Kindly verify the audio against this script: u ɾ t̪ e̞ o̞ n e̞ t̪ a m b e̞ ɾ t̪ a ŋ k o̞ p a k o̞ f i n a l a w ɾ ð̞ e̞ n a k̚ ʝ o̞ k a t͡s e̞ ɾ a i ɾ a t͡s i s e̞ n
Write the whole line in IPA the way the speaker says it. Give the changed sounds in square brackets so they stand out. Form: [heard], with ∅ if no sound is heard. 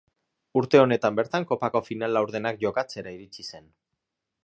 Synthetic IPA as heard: u ɾ t̪ e̞ o̞ n e̞ t̪ a m b e̞ ɾ t̪ a ŋ k o̞ p a k o̞ f i n a l a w ɾ ð̞ e̞ n a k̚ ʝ o̞ k a t͡s e̞ ɾ a i ɾ [i] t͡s i s e̞ n